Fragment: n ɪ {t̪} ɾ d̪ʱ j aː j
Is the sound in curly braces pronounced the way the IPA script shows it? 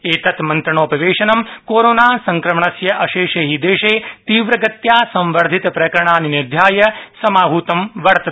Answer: no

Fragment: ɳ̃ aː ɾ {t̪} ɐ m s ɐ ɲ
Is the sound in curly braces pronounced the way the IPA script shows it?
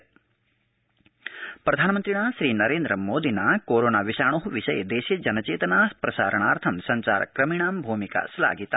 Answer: no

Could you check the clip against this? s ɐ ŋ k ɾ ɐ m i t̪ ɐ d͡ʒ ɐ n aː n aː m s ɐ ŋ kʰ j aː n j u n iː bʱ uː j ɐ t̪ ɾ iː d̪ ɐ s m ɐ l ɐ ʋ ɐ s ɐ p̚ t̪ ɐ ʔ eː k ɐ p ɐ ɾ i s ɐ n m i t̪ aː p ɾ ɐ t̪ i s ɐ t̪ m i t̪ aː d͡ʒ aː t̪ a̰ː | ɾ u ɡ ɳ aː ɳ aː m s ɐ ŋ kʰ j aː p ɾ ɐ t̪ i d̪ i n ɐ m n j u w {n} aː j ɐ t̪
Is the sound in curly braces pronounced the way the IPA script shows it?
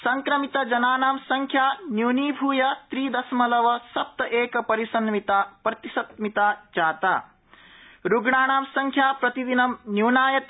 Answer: yes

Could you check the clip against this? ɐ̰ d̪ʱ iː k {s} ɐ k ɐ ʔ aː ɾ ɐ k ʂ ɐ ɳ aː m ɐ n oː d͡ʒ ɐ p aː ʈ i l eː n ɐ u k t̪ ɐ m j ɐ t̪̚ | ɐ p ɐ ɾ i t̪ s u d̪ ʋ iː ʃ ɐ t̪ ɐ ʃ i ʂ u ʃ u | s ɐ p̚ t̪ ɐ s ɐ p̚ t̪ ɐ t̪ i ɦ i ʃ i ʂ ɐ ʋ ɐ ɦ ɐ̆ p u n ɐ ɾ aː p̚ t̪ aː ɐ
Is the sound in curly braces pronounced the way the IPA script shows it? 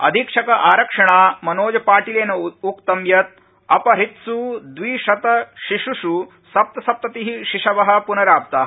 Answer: no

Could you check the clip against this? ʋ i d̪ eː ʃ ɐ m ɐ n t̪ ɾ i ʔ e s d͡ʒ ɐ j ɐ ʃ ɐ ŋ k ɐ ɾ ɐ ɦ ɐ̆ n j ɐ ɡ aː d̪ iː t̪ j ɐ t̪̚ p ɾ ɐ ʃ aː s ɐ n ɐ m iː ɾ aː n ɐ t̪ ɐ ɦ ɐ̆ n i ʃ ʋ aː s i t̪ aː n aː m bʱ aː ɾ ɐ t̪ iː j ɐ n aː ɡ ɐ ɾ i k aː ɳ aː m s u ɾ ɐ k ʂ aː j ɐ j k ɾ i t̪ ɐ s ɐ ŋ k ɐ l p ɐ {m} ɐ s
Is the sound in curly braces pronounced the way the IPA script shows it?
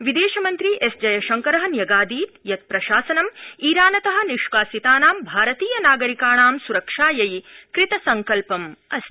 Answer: yes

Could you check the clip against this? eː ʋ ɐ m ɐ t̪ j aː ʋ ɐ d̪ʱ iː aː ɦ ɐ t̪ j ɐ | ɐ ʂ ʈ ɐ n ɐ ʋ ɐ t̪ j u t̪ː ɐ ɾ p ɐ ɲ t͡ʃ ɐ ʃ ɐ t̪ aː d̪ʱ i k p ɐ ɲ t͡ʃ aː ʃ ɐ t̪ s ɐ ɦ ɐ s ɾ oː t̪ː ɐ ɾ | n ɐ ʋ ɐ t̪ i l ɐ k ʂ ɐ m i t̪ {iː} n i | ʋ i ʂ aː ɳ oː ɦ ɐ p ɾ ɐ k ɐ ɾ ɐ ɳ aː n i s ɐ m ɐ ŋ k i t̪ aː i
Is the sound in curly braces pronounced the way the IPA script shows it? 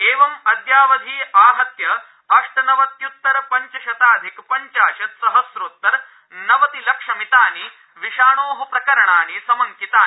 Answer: no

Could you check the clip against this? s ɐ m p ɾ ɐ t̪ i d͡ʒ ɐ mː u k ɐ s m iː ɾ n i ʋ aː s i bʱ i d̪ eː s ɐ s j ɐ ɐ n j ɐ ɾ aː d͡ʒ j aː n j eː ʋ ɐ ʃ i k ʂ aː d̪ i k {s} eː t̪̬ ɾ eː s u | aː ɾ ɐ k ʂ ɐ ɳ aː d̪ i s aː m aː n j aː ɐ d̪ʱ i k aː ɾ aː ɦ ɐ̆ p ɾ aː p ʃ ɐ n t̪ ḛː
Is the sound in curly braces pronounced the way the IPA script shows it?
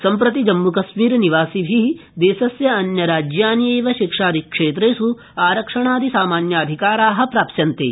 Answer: no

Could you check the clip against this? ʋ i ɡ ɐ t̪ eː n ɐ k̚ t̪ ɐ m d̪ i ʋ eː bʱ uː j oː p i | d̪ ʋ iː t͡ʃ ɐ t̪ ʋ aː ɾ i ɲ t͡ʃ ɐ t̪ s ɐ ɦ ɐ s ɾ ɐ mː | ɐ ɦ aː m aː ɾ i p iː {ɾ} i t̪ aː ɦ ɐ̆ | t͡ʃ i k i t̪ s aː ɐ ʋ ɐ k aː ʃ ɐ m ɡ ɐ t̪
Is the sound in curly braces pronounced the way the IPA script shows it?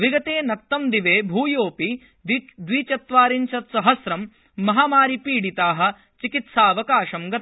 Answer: no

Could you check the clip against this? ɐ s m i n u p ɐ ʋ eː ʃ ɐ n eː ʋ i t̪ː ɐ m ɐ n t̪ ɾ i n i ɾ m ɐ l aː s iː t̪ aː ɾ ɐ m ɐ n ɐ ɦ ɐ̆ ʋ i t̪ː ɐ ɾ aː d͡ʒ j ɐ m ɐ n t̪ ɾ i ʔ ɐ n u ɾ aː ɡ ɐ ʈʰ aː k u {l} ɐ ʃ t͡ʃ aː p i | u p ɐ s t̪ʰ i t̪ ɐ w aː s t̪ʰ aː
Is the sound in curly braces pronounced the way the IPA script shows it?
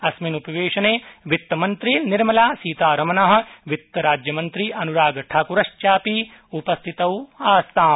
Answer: no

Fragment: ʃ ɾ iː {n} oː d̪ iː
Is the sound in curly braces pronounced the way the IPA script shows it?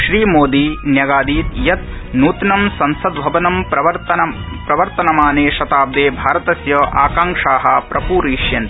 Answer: no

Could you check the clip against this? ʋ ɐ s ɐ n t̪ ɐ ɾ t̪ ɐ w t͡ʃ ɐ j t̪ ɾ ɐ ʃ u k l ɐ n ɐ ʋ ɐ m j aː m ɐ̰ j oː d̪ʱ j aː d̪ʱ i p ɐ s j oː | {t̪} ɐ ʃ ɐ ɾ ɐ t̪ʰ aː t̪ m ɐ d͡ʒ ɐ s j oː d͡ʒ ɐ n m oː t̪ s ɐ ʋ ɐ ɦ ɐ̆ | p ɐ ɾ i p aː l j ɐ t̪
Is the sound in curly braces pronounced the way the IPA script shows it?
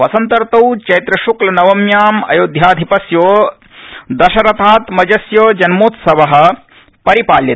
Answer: no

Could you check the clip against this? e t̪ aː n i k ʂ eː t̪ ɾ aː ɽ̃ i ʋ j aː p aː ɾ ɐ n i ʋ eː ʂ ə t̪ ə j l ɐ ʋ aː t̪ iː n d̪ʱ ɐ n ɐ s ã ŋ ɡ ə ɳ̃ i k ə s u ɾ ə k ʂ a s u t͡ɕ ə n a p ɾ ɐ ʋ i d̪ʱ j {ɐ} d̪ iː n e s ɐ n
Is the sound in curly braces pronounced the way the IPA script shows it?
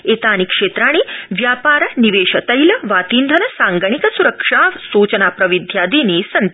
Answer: no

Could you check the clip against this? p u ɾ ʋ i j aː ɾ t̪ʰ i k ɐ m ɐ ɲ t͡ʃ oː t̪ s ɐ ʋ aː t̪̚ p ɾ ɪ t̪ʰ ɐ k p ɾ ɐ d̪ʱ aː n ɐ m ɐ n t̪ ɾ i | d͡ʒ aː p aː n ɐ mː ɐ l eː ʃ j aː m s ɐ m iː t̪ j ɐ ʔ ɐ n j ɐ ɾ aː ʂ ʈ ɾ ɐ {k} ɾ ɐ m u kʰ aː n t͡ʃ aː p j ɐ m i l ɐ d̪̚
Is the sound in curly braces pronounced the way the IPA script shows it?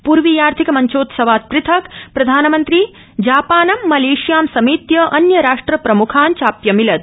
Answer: no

